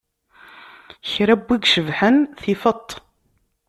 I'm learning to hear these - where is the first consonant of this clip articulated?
palate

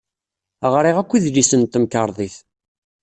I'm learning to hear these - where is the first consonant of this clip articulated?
uvula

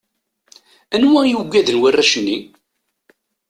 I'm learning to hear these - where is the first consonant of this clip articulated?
tongue tip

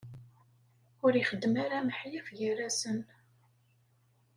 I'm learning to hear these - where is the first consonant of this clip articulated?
tongue tip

